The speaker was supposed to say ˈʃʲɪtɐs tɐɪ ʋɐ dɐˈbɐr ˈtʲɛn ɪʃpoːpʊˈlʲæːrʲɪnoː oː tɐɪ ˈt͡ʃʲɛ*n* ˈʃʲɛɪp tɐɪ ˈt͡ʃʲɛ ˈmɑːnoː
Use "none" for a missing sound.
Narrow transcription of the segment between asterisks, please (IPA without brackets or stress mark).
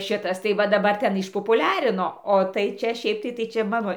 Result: none